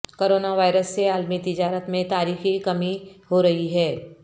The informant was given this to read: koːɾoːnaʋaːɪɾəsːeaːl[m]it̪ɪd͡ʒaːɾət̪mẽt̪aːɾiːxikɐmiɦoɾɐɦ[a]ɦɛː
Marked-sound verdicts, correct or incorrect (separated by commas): correct, incorrect